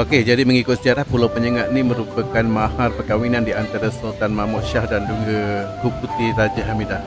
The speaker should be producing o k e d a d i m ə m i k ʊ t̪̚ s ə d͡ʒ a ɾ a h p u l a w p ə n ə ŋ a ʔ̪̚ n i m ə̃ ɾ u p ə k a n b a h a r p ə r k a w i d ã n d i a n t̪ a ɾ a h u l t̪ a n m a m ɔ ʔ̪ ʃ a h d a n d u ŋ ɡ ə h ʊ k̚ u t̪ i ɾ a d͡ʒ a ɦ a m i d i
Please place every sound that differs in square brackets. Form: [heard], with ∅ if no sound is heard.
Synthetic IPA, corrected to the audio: o k e [d͡ʒ] a d i m ə [ŋ] i k ʊ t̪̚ s ə d͡ʒ a ɾ a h p u l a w p ə [ɲ] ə ŋ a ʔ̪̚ n i m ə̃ ɾ u p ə k a n [m] a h a r p ə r k a w i [n] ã n d i a n t̪ a ɾ a [s] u l t̪ a n m a m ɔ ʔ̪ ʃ a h d a n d u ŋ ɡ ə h [u] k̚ u t̪ i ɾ a d͡ʒ a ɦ a m i d [a]